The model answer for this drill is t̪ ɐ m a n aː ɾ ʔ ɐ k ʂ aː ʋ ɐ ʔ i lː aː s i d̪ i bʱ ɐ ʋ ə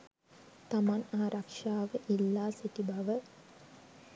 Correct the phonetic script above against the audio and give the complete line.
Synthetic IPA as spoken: t̪ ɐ m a n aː ɾ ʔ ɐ k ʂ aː ʋ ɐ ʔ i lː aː s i t̪ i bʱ ɐ ʋ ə